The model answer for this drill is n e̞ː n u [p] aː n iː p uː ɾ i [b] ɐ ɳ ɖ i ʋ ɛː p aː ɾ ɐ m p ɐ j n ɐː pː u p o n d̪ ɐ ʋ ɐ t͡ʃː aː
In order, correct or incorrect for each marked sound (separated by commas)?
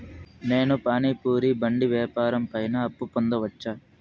correct, correct